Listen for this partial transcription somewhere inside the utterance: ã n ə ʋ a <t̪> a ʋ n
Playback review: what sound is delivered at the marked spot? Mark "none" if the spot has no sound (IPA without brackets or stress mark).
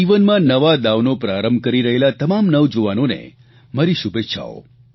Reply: d̪